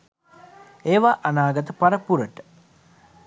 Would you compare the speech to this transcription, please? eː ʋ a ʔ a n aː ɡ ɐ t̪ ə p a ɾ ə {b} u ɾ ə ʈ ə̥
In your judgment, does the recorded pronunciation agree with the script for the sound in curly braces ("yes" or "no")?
no